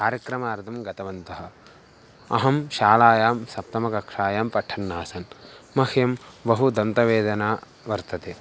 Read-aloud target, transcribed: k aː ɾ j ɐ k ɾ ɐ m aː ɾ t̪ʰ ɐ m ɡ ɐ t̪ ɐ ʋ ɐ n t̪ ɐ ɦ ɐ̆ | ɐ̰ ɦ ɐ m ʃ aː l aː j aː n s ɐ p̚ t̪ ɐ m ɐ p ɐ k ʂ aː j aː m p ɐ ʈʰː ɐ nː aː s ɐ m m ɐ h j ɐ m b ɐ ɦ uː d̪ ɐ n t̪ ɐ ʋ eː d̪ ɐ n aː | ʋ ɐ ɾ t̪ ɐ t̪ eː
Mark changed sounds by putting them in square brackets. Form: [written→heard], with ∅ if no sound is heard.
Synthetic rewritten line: k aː ɾ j ɐ k ɾ ɐ m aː ɾ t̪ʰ ɐ m ɡ ɐ t̪ ɐ ʋ ɐ n t̪ ɐ ɦ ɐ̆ | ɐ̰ ɦ ɐ m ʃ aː l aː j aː [n→m] s ɐ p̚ t̪ ɐ m ɐ [p→k] ɐ k ʂ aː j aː m p ɐ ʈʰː ɐ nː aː s ɐ [m→n] m ɐ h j ɐ m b ɐ ɦ [uː→u] d̪ ɐ n t̪ ɐ ʋ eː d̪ ɐ n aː | ʋ ɐ ɾ t̪ ɐ t̪ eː